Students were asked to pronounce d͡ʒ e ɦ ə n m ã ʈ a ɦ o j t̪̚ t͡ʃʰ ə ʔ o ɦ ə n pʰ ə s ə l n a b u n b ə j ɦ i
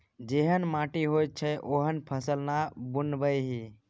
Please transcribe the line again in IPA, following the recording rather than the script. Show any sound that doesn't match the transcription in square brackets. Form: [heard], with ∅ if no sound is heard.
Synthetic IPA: d͡ʒ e ɦ ə n m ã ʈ [i] ɦ o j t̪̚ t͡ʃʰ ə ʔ o ɦ ə n pʰ ə s ə l n a b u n b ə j ɦ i